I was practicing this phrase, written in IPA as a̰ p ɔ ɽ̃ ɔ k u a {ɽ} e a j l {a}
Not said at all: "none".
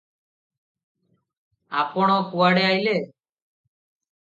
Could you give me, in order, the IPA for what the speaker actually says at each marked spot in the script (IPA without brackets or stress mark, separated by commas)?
ɽ, e